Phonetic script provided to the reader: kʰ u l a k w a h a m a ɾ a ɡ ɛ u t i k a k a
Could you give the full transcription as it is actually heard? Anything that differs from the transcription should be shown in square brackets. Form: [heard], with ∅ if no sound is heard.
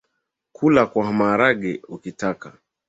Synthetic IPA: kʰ u l a k w a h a m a ɾ a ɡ ɛ u [k] i [t] a k a